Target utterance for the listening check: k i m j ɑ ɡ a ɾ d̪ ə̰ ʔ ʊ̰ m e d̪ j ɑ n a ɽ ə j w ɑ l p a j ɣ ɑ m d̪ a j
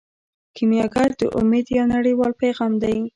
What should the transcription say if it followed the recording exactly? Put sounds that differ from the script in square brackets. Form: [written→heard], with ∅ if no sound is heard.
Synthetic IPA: k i m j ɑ ɡ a ɾ d̪ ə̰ ʔ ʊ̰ m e d̪ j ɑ n a ɽ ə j w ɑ l p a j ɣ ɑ m d̪ a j